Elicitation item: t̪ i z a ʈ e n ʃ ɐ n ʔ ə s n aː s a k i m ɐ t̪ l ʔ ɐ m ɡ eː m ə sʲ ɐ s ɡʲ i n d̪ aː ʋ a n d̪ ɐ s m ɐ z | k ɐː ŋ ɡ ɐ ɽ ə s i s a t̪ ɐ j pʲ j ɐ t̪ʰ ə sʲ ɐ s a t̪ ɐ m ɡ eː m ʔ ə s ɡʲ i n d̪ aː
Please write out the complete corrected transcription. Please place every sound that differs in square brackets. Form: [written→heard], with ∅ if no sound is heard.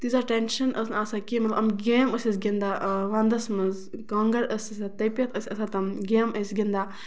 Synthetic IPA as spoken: t̪ i z a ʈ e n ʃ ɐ n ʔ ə s n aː s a k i m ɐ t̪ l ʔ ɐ m ɡ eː m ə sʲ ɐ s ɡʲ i n d̪ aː ʋ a n d̪ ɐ s m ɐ z | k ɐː ŋ ɡ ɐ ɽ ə s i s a t̪ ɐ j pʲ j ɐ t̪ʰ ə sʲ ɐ s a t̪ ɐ m ɡ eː m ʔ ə s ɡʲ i n d̪ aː